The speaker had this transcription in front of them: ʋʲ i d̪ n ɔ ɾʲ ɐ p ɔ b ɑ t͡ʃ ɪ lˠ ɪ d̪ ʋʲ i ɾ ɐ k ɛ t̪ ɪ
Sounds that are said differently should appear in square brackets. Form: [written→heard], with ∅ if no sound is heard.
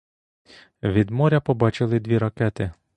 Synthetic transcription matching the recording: ʋʲ i d̪ [n→m] ɔ ɾʲ ɐ p ɔ b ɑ t͡ʃ ɪ lˠ ɪ d̪ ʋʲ i ɾ ɐ k ɛ t̪ ɪ